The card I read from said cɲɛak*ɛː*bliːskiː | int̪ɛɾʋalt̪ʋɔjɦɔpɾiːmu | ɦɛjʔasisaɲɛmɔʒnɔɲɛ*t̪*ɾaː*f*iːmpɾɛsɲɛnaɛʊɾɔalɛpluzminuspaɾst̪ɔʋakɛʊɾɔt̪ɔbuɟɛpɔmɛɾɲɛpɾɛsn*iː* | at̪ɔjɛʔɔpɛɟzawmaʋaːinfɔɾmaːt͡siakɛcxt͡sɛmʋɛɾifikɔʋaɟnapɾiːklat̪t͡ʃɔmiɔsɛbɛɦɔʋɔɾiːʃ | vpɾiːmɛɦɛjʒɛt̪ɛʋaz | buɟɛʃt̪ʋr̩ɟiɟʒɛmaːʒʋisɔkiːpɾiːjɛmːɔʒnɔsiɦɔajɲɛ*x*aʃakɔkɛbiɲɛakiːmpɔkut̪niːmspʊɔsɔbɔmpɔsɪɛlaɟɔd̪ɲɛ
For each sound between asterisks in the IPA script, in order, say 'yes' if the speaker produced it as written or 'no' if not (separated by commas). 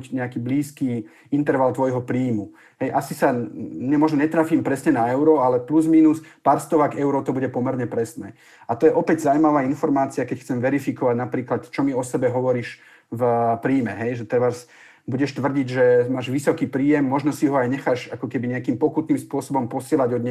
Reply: no, yes, yes, no, yes